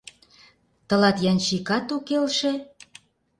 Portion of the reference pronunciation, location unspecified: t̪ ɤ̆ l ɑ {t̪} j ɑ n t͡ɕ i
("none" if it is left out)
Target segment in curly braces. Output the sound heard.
t̪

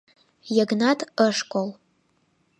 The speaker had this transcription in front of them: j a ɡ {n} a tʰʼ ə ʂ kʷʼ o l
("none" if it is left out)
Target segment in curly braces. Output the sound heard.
n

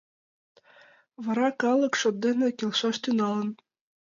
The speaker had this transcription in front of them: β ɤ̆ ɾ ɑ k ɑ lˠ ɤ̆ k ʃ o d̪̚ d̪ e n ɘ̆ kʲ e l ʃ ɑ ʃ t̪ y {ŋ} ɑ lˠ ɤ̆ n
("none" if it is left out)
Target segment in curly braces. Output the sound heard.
n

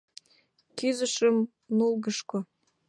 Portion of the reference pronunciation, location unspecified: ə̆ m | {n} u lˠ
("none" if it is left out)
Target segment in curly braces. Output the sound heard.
n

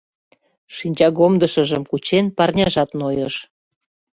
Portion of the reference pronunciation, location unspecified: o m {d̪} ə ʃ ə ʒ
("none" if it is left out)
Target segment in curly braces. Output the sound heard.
d̪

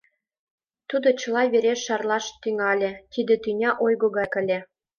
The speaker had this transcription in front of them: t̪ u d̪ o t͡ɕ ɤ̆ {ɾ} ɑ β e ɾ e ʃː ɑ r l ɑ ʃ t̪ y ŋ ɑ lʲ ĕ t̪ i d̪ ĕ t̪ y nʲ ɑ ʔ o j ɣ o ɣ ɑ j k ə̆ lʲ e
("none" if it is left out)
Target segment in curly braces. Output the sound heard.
l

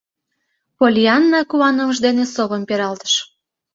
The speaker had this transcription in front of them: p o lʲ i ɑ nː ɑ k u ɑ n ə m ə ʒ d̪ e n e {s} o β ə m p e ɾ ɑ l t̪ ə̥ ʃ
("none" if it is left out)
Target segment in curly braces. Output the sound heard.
s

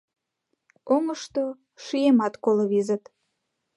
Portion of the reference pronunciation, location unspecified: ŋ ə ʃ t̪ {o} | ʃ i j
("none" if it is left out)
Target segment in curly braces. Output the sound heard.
o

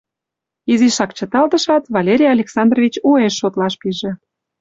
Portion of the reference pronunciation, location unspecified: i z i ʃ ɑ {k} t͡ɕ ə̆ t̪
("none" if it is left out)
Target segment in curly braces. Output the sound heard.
k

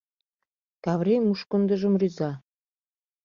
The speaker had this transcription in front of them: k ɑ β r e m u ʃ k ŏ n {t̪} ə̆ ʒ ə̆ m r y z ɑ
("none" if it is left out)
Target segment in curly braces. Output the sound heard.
d̪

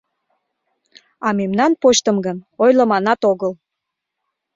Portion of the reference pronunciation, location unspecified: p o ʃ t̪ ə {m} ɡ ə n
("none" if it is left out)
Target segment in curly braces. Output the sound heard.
m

